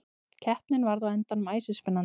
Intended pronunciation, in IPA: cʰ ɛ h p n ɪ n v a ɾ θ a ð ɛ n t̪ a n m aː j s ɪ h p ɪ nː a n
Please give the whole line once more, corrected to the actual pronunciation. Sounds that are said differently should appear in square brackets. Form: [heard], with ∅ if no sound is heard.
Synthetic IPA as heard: cʰ ɛ h p n ɪ n v a ɾ [ð] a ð ɛ n t̪ a n m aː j s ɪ [s] p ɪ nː a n